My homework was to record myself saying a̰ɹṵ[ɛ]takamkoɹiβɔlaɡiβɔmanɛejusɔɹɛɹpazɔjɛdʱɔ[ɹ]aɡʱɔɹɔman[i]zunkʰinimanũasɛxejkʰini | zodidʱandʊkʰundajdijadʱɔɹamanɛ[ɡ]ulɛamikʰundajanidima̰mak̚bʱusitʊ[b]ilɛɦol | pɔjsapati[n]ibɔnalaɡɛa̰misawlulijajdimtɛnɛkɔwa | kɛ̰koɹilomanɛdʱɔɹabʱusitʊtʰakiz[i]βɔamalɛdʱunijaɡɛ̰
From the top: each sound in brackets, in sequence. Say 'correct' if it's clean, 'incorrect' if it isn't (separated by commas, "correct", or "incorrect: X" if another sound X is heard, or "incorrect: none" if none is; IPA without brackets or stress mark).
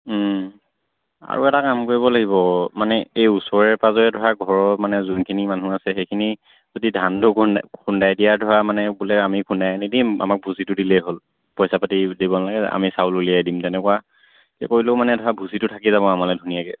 correct, correct, incorrect: ɛ, incorrect: b, incorrect: d, incorrect: d, incorrect: a